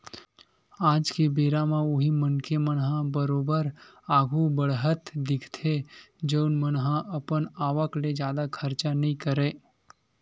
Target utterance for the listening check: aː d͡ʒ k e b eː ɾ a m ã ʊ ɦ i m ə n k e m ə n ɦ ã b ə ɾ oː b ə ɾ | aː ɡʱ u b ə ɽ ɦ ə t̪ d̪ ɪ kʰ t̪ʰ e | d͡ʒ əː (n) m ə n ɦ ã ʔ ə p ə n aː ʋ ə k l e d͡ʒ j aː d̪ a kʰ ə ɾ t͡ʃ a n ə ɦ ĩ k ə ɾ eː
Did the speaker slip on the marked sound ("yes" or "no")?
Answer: no